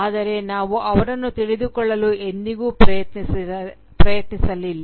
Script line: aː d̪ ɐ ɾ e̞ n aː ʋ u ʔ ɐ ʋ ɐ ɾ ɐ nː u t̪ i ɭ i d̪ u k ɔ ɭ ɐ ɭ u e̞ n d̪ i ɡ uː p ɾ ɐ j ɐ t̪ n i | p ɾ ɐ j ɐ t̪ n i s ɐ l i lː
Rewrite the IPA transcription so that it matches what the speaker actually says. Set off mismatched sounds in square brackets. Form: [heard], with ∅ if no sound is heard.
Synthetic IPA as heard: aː d̪ ɐ ɾ e̞ n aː ʋ u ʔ ɐ ʋ ɐ ɾ ɐ nː u t̪ i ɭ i d̪ u k ɔ [ɭː] ɐ [l] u e̞ n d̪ i ɡ uː p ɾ ɐ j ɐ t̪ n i | p ɾ ɐ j ɐ t̪ n i s ɐ l i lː